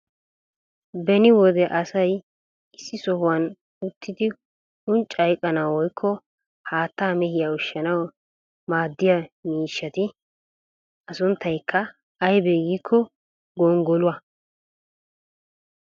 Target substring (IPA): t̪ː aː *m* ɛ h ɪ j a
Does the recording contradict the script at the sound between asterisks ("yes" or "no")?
no